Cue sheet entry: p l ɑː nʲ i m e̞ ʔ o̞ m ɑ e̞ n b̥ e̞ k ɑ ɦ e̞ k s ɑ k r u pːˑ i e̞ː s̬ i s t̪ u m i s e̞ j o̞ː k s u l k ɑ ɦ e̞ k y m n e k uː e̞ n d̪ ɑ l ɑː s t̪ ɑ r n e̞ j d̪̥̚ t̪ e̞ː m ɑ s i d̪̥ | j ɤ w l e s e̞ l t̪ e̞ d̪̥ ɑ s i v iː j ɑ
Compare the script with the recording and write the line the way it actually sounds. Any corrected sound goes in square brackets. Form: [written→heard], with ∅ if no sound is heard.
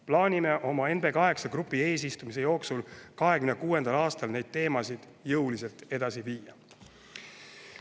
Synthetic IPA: p l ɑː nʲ i m e̞ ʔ o̞ m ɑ e̞ n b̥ e̞ k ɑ ɦ e̞ k s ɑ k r u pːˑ i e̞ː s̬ i s t̪ u m i s e̞ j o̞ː k s u l k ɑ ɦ e̞ k y m n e k uː e̞ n d̪ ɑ l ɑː s t̪ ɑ [r→l] n e̞ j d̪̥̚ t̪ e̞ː m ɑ s i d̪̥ | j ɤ w l [e→i] s e̞ l t̪ e̞ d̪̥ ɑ s i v iː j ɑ